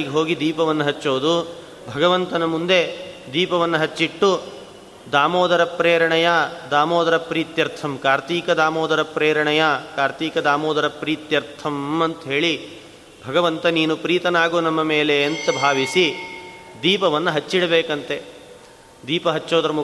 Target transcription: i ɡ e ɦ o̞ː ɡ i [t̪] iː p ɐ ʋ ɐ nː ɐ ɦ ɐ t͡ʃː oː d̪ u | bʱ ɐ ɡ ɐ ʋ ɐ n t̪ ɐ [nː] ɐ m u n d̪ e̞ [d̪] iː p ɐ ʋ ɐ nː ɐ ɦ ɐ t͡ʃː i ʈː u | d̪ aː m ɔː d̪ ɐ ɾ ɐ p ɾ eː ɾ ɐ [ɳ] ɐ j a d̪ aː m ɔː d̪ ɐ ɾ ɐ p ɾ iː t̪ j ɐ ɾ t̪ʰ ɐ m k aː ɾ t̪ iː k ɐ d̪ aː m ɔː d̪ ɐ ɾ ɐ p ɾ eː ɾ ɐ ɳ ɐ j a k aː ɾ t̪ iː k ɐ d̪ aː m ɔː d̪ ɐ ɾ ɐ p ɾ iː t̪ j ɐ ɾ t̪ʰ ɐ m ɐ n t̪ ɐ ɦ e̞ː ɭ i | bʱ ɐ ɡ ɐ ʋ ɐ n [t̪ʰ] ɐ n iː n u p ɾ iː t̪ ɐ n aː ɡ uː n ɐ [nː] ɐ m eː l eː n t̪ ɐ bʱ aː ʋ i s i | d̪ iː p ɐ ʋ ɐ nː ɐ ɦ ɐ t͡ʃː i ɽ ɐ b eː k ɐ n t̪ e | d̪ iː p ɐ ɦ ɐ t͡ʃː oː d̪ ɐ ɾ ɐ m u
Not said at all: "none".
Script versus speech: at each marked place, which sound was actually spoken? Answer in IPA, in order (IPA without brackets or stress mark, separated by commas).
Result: d̪, n, d̪, ɳ, t̪, mː